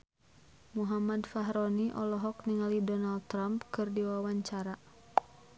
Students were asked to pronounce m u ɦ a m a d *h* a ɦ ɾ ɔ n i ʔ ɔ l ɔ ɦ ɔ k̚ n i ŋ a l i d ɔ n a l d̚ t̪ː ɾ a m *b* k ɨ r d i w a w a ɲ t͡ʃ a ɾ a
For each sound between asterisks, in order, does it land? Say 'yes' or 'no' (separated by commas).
no, no